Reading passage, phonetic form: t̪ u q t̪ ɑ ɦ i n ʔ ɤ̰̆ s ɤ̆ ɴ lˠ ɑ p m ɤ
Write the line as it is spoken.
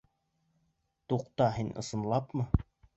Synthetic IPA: t̪ u q t̪ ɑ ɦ i n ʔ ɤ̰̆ s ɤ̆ n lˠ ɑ p m ɤ